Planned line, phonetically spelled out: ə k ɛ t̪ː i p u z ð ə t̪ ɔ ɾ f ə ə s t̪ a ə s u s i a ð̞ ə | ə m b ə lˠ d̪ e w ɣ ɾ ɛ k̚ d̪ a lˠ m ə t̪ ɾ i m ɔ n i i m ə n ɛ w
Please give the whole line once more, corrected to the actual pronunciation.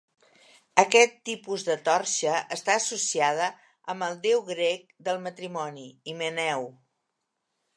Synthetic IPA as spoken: ə k ɛ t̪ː i p u z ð ə t̪ ɔ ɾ ʃ ə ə s t̪ a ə s u s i a ð̞ ə | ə m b ə lˠ d̪ e w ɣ ɾ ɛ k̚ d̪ ə lˠ m ə t̪ ɾ i m ɔ n i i m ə n ɛ w